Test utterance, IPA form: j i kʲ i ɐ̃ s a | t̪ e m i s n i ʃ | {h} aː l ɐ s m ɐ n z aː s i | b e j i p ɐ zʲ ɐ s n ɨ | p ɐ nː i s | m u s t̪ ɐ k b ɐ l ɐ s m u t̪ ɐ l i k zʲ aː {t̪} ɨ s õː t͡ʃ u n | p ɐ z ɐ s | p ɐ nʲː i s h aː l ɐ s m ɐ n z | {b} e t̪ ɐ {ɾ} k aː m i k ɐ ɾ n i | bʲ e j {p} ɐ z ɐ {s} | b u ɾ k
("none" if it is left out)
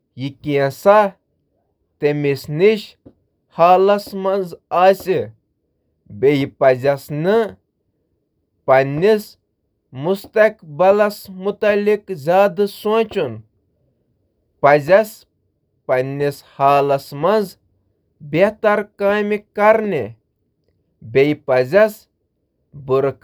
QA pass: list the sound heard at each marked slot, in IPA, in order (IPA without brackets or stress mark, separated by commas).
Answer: h, d̪, b, ɾ, p, s